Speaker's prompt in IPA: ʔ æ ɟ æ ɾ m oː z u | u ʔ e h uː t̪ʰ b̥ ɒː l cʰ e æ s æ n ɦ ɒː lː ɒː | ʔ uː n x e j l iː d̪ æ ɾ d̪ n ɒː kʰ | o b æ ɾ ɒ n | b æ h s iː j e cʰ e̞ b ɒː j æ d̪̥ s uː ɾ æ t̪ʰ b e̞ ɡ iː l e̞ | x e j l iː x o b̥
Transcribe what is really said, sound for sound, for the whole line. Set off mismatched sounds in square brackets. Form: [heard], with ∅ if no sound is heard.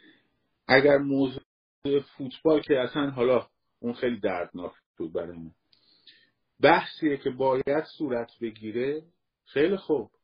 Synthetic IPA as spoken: ʔ æ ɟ æ ɾ m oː z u | u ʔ e [f] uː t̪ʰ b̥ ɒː l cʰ e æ s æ n ɦ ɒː [l] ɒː | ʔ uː n x e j l iː d̪ æ ɾ d̪ n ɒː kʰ | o b æ ɾ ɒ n | b æ h s iː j e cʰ e̞ b ɒː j æ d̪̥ s uː ɾ æ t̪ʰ b e̞ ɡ iː [ɾ] e̞ | x e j l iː x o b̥